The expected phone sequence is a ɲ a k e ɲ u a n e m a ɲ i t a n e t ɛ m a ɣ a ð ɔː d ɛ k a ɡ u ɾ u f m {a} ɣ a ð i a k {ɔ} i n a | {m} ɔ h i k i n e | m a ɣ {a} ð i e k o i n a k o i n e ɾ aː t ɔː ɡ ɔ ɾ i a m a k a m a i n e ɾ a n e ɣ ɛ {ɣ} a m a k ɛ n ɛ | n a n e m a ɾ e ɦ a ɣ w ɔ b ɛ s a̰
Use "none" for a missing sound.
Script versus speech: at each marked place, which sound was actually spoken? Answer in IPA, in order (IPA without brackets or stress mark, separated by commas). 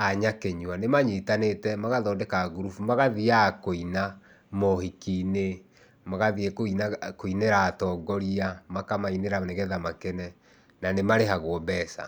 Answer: a, o, m, a, ð